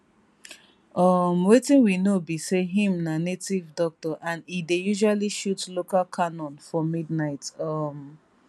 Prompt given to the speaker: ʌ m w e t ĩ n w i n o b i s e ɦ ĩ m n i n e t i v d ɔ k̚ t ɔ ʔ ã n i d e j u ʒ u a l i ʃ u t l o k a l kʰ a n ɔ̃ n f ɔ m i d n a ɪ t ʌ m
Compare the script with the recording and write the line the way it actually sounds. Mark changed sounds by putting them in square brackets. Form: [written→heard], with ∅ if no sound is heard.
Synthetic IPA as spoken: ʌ m w e t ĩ n w i n o b i s e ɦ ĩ m n [i→a] n e t i v d ɔ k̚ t ɔ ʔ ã n i d e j u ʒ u a l i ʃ u t l o k a l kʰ a n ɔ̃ n f ɔ m i d n a ɪ t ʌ m